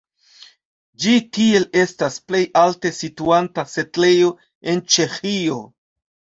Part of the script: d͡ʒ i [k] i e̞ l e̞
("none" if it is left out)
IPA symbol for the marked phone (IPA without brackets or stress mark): t